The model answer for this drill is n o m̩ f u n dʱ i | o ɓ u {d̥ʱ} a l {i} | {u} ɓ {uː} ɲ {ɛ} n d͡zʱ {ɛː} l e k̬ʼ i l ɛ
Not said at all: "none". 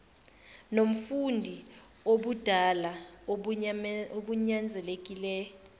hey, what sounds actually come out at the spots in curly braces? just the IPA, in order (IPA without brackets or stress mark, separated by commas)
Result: d̥ʱ, a, o, u, a, ɛ